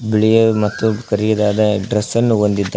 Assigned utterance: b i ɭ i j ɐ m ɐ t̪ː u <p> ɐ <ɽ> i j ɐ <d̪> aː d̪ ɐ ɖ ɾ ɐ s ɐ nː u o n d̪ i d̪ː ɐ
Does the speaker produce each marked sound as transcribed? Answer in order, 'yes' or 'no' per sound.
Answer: no, no, yes

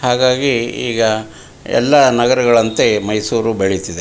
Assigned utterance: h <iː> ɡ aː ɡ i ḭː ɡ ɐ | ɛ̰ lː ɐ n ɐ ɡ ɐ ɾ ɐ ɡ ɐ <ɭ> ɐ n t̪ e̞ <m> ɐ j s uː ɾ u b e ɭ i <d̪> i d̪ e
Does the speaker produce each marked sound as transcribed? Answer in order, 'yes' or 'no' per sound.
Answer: no, yes, yes, no

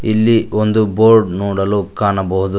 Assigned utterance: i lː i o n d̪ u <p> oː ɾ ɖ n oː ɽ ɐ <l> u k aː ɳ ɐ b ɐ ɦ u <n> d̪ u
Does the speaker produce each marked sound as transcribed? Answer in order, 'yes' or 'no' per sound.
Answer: no, yes, no

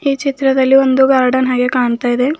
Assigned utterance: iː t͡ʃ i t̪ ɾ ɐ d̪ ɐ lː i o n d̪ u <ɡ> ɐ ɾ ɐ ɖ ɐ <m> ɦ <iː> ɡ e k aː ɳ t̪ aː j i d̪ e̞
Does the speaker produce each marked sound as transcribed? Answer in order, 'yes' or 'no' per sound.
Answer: yes, no, no

